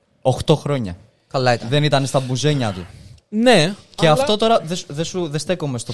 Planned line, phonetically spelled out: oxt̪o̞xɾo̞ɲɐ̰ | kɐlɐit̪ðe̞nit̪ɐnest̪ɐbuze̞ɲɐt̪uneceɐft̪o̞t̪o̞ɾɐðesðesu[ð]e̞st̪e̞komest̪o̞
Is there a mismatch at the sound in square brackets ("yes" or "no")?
no